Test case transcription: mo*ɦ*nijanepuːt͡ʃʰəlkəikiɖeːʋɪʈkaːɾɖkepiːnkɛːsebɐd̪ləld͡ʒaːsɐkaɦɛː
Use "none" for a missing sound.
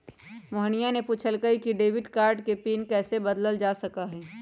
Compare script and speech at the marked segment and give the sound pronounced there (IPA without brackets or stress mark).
ɦ